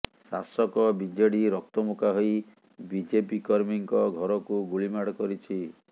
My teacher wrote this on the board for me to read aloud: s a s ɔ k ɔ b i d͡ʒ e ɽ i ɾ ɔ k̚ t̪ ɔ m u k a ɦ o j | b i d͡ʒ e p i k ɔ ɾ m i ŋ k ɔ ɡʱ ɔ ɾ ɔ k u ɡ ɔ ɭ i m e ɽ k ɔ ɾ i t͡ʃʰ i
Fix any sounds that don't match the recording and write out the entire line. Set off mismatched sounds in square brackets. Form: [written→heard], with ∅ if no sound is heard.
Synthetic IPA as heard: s a s ɔ k ɔ b i d͡ʒ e ɽ i ɾ ɔ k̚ t̪ ɔ m u k a ɦ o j | b i d͡ʒ e p i k ɔ ɾ m i ŋ k ɔ ɡʱ ɔ ɾ ɔ k u ɡ [ɔ→u] ɭ i m [e→a] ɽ k ɔ ɾ i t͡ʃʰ i